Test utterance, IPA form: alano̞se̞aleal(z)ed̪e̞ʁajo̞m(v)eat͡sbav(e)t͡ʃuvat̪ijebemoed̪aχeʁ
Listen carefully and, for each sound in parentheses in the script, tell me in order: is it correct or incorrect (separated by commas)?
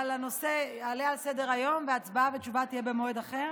incorrect, correct, correct